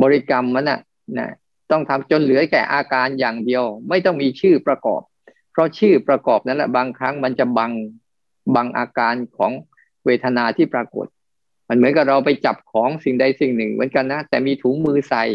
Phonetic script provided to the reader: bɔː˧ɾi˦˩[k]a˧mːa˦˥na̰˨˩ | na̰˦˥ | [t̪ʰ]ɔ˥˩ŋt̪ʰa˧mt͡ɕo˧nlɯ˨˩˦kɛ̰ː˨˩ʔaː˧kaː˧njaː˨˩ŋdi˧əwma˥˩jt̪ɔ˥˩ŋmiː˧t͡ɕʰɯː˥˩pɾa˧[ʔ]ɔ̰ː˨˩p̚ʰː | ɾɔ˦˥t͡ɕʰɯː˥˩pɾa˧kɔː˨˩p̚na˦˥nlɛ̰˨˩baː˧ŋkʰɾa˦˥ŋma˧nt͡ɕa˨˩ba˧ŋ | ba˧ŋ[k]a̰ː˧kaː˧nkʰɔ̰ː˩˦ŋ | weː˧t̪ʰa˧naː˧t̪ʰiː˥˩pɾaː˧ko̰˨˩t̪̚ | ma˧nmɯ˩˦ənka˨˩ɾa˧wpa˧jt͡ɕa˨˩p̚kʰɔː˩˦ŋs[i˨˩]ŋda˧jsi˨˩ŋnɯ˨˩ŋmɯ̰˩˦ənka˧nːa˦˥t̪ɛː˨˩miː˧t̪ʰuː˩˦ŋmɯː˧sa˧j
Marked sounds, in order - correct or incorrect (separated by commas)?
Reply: correct, incorrect, incorrect, incorrect, correct